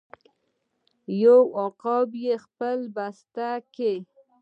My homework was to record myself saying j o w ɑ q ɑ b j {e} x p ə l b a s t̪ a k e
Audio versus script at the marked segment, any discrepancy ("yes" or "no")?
no